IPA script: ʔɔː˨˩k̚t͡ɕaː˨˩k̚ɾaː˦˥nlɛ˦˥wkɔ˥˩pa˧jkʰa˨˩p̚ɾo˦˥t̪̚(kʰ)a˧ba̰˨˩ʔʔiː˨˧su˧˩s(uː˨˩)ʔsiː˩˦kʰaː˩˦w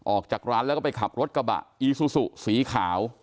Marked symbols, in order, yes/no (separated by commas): no, no